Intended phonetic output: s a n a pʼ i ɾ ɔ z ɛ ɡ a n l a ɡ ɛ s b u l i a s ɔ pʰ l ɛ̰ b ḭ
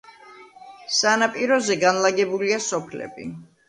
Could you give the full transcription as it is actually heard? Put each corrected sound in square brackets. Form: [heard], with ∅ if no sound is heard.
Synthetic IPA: s a n a pʼ i ɾ ɔ z ɛ ɡ a n l a ɡ ɛ [∅] b u l i a s ɔ pʰ l ɛ̰ b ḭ